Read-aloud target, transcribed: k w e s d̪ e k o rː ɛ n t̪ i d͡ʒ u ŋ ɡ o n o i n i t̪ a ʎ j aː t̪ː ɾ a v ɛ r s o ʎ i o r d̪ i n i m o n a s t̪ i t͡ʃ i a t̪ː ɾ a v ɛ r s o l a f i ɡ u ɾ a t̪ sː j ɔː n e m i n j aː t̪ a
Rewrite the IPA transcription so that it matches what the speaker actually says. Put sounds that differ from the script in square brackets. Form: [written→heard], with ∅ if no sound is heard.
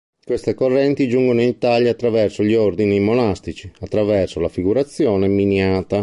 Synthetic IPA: k w e s [d̪→t̪] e k o rː ɛ n t̪ i d͡ʒ u ŋ ɡ o n o i n i t̪ a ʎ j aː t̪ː ɾ a v ɛ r s o ʎ i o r d̪ i n i m o n a s t̪ i t͡ʃ i a t̪ː ɾ a v ɛ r s o l a f i ɡ u ɾ a t̪ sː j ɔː n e m i n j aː t̪ a